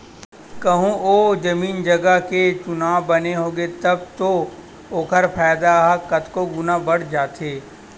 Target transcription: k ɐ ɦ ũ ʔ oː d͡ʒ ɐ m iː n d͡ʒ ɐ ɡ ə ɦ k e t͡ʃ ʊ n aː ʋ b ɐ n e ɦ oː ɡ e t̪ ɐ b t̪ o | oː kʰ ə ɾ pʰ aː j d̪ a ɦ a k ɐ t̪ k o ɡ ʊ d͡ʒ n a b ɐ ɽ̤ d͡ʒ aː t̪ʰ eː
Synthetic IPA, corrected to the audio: k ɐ ɦ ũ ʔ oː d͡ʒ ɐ m iː n d͡ʒ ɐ ɡ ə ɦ k e t͡ʃ ʊ n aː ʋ b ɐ n e ɦ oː ɡ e t̪ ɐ b t̪ o | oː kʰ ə ɾ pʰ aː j d̪ a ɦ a k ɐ t̪ k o ɡ ʊ n a b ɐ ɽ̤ d͡ʒ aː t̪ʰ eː